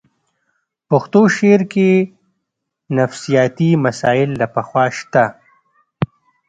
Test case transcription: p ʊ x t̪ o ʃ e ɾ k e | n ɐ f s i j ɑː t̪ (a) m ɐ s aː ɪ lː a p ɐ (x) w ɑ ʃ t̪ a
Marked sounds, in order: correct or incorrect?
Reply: incorrect: i, correct

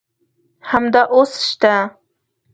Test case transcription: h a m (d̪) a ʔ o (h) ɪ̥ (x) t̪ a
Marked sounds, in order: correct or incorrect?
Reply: correct, incorrect: s, incorrect: ʃ

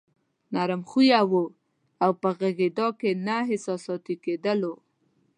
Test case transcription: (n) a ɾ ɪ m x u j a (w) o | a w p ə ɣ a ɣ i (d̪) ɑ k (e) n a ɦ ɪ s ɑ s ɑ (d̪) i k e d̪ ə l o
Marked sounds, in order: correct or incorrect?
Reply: correct, correct, correct, correct, incorrect: t̪

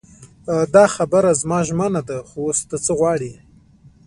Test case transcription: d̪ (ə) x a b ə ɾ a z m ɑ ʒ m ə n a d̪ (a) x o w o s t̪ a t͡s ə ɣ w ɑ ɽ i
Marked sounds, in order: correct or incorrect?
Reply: incorrect: ɑ, correct

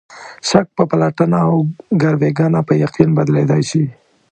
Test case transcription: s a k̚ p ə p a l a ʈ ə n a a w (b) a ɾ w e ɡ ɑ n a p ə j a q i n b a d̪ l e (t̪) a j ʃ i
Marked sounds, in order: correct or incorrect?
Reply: incorrect: ɡ, incorrect: d̪

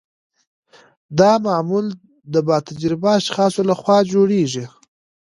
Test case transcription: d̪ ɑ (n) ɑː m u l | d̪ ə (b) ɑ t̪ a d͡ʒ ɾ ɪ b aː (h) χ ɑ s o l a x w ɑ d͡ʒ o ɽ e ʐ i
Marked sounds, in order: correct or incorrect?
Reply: incorrect: m, correct, incorrect: ʃ

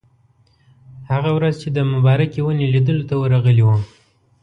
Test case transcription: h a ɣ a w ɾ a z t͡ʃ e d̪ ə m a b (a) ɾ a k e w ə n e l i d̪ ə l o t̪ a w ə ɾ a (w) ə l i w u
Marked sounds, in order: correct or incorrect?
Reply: incorrect: ɑ, incorrect: ɣ

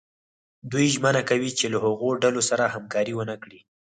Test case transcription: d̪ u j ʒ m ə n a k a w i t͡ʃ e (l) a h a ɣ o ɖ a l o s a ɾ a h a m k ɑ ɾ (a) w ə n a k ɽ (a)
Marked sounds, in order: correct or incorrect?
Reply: correct, incorrect: i, incorrect: i

